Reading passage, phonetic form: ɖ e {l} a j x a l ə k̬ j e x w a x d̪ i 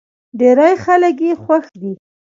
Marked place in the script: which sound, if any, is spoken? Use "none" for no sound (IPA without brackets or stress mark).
ɾ